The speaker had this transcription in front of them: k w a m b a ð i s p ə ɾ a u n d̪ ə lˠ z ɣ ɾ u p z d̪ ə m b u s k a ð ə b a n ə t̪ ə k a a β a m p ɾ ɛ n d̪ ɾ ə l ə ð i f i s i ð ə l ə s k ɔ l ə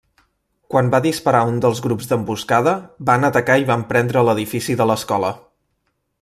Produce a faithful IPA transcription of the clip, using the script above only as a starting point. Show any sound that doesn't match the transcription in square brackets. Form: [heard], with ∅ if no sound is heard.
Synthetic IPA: k w a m b a ð i s p ə ɾ a u n d̪ ə lˠ z ɣ ɾ u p z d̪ ə m b u s k a ð ə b a n ə t̪ ə k a [i] β a m p ɾ ɛ n d̪ ɾ ə l ə ð i f i s i ð ə l ə s k ɔ l ə